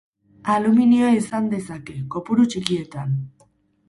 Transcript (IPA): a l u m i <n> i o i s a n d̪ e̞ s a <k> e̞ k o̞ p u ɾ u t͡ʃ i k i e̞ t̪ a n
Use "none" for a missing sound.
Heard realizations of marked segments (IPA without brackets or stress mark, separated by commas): n, k